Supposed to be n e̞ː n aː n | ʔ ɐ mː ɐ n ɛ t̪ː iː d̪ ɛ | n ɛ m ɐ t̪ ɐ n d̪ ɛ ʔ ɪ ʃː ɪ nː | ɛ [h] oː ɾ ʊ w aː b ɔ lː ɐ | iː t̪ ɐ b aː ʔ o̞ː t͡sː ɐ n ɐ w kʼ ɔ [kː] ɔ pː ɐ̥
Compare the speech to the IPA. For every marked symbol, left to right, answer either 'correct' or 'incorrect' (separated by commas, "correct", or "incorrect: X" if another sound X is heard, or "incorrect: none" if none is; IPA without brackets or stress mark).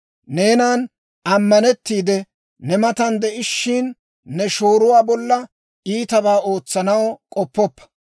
incorrect: ʃ, incorrect: pː